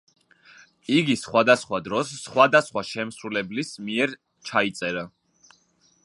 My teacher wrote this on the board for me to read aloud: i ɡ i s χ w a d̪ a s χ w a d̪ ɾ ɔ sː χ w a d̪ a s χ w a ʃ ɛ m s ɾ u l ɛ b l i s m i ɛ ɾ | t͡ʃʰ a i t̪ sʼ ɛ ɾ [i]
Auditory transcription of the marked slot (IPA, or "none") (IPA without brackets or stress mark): a